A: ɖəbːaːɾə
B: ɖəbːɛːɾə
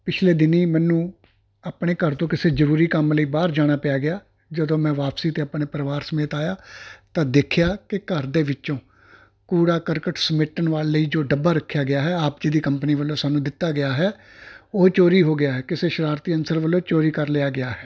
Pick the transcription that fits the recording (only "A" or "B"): A